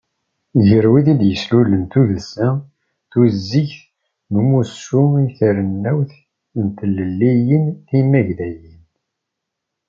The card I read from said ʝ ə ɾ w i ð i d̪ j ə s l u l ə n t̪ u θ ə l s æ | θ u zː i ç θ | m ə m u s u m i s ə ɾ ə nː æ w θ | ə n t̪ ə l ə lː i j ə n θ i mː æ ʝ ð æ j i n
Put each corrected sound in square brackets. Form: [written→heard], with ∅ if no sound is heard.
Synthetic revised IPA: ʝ ə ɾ w i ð i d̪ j ə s l u l ə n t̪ u [θ→ð] ə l s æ | θ u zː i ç θ | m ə m u s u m i [s→θ] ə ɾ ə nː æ w θ | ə n t̪ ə l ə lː i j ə n θ i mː æ ʝ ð æ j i n